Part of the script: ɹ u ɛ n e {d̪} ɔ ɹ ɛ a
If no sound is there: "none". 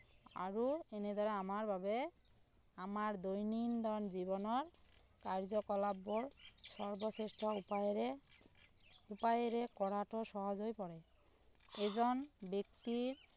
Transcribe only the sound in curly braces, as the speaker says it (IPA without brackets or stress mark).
d̪